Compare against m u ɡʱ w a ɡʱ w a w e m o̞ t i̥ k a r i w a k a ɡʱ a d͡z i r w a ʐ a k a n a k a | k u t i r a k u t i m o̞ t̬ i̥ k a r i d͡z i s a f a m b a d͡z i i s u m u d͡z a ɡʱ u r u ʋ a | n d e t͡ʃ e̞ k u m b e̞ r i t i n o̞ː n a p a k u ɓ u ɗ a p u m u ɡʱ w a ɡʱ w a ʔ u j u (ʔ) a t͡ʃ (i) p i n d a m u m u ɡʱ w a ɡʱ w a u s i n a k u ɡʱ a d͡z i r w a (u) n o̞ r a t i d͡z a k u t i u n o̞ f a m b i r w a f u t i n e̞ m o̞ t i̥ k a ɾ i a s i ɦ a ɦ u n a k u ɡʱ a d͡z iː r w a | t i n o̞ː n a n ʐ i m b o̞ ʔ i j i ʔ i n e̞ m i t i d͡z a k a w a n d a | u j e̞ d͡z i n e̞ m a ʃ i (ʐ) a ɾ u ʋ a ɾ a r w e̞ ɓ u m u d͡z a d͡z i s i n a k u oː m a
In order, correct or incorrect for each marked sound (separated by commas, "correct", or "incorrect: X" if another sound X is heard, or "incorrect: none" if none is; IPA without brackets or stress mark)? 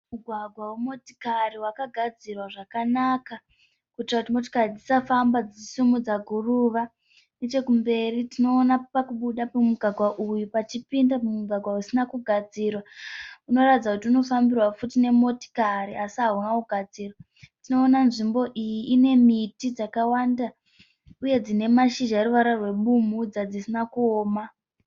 incorrect: p, correct, correct, incorrect: ʒ